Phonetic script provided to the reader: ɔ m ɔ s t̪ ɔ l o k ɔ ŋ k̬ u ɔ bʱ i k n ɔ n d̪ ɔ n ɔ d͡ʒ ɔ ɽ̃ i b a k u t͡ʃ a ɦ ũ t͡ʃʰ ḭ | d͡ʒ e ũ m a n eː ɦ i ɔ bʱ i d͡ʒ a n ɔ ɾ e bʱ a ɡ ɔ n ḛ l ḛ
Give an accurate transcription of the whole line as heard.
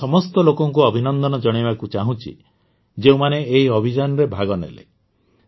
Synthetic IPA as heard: ɔ m ɔ s t̪ ɔ l o k ɔ ŋ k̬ u ɔ bʱ i n ɔ n d̪ ɔ n ɔ d͡ʒ ɔ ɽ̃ i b a k u t͡ʃ a ɦ ũ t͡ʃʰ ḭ | d͡ʒ e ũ m a n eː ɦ i ɔ bʱ i d͡ʒ a n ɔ ɾ e bʱ a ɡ ɔ n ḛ l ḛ